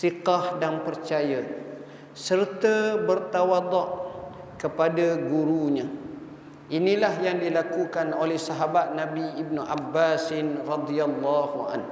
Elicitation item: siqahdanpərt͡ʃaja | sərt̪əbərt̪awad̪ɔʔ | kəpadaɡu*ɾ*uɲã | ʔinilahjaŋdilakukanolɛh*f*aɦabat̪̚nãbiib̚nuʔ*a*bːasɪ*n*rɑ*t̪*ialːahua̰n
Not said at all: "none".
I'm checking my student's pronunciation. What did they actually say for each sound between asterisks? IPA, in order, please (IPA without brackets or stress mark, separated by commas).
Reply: ɾ, s, a, n, d̪